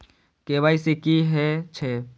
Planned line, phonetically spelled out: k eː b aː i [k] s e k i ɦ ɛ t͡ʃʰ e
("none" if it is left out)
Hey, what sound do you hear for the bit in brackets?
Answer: none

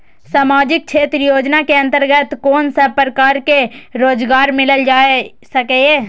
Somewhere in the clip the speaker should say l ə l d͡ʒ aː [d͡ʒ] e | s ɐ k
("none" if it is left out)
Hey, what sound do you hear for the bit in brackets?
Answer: none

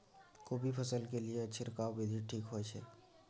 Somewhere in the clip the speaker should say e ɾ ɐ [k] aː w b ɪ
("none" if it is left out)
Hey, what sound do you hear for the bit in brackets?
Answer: k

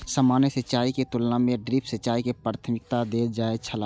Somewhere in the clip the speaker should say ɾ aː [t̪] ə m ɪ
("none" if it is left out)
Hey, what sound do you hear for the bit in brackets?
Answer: t̪ʰ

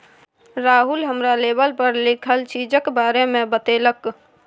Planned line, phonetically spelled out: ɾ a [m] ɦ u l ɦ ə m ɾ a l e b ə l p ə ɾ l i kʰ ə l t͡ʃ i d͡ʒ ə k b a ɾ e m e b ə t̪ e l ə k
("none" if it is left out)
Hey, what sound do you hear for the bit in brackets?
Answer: none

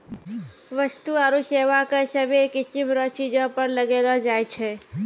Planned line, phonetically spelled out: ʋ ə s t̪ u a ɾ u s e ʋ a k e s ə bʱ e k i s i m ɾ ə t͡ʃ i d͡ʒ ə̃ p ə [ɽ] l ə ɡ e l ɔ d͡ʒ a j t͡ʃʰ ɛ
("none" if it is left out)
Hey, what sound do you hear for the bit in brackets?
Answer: ɾ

